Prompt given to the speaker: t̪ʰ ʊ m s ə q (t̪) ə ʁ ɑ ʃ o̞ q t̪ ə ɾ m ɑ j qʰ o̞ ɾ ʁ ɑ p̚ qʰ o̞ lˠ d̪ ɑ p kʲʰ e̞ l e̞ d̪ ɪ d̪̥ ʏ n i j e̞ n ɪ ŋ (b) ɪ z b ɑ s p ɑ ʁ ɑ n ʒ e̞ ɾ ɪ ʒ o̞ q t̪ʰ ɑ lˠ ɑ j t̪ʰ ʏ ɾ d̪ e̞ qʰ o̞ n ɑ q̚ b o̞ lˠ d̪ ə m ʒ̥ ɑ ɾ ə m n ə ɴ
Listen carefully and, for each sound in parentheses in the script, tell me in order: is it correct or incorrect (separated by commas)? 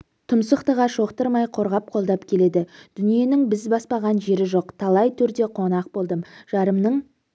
correct, correct